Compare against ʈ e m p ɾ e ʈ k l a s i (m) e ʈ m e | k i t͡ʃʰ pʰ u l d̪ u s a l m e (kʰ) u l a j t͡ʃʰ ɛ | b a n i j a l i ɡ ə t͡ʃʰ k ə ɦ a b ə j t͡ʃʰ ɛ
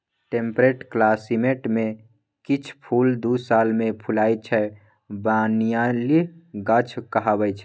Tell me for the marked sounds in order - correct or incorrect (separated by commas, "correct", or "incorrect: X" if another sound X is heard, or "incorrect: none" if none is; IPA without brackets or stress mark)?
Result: correct, incorrect: pʰ